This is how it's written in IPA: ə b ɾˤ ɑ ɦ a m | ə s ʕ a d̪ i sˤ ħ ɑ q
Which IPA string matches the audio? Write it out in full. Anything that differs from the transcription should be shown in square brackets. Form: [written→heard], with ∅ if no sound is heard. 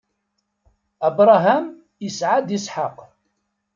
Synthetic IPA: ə b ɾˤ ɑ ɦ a m | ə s ʕ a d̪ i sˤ ħ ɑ q